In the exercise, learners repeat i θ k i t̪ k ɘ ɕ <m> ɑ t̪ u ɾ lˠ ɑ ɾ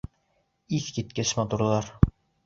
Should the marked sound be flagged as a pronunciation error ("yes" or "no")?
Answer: no